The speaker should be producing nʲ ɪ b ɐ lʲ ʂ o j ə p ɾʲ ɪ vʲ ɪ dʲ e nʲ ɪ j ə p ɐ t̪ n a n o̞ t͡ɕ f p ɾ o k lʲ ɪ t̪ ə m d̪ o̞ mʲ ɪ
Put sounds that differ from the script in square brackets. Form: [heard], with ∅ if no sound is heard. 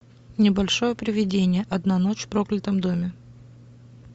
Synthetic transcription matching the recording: nʲ ɪ b ɐ lʲ ʂ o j ə p ɾʲ ɪ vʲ ɪ dʲ e nʲ ɪ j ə [ʔ] ɐ [d̪] n a n o̞ t͡ɕ f p ɾ o k lʲ ɪ t̪ ə m d̪ o̞ mʲ ɪ